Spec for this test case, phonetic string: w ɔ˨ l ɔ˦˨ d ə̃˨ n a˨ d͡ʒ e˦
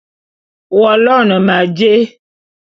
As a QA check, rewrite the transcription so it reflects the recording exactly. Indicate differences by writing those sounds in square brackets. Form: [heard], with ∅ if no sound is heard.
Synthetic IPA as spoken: w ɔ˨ l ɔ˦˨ [n] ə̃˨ [m] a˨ d͡ʒ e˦